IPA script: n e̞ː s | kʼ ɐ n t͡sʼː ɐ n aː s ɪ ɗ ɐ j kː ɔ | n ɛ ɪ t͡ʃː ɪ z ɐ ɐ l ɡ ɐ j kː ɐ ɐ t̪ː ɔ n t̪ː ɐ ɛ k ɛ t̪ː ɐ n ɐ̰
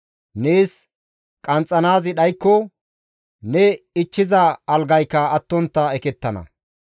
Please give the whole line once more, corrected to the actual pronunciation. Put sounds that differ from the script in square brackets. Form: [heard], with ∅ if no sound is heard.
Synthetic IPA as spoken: n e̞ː s | kʼ ɐ n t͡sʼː ɐ n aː [z] ɪ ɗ ɐ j kː ɔ | n ɛ ɪ t͡ʃː ɪ z ɐ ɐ l ɡ ɐ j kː ɐ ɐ t̪ː ɔ n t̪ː ɐ ɛ k ɛ t̪ː ɐ n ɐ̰